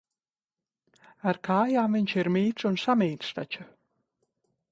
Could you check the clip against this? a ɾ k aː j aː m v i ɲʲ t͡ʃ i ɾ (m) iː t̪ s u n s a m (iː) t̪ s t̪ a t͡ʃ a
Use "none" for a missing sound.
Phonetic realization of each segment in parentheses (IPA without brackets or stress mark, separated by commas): m, iː